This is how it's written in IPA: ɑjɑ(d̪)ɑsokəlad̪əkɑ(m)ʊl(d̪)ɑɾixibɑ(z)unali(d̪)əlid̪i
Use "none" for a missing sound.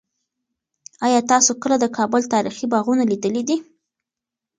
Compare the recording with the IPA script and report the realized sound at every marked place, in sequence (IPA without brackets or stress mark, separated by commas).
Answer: t̪, b, t̪, ɣ, d̪